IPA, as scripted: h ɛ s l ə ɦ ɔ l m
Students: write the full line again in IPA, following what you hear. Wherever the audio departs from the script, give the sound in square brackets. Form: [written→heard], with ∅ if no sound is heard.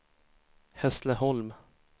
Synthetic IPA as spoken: h ɛ s l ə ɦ ɔ l m